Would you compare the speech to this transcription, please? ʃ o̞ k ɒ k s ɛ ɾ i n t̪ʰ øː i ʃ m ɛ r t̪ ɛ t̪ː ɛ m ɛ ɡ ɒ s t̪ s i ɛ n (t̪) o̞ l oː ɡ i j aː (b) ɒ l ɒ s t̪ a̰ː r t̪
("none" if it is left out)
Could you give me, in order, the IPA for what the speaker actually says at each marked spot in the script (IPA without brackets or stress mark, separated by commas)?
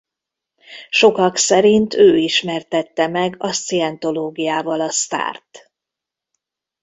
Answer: t̪, v